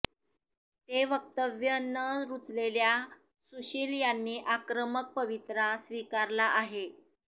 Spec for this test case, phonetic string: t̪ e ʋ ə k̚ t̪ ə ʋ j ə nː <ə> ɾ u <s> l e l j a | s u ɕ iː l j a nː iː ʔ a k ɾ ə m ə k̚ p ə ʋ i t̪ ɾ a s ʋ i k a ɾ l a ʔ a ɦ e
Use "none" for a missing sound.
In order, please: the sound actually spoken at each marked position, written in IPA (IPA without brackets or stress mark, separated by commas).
ə, t͡s